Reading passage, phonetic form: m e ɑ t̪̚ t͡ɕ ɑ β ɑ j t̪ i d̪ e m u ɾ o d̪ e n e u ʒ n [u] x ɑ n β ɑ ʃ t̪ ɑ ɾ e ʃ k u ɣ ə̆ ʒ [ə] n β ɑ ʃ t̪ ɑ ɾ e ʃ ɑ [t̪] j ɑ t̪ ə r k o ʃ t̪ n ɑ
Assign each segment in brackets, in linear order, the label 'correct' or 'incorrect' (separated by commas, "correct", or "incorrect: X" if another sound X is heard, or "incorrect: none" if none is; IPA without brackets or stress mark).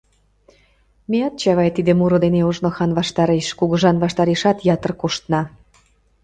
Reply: incorrect: o, incorrect: ɑ, correct